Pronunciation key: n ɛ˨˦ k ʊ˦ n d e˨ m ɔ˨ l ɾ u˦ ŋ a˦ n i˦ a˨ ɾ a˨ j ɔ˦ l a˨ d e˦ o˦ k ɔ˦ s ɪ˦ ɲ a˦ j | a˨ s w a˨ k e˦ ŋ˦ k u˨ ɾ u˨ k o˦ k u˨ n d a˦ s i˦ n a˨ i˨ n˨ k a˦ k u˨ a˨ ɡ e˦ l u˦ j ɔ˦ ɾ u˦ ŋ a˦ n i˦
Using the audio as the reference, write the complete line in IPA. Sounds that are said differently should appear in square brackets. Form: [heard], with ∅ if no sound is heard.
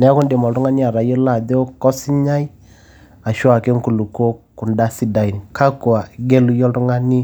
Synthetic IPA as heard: n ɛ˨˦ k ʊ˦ n d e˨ m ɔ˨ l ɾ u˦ ŋ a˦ n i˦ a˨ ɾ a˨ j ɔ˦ l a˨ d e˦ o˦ k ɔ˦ s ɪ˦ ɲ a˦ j | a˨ [ʃ] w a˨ k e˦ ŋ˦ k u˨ [l] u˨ k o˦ k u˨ n d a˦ s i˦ [d] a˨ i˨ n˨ k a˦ k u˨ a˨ ɡ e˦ l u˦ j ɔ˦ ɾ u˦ ŋ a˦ n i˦